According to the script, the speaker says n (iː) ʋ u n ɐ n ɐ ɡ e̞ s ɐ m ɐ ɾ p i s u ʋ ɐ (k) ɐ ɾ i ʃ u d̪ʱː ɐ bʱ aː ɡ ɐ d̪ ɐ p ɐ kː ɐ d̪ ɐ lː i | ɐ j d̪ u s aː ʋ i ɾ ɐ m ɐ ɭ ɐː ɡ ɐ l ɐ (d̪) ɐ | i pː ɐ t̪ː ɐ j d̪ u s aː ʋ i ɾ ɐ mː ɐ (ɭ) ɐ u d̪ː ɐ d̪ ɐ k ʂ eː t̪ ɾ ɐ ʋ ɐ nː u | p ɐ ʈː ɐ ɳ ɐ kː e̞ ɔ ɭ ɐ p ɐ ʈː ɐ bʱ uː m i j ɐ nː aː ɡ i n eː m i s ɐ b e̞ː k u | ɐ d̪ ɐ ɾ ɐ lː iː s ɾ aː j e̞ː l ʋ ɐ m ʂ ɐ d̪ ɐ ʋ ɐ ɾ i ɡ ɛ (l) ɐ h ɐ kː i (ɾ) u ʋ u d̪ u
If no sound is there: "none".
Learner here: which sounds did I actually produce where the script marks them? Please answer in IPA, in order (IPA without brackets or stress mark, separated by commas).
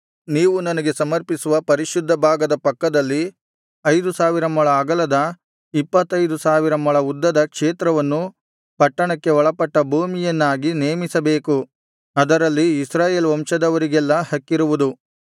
iː, p, d̪, ɭ, lː, ɾ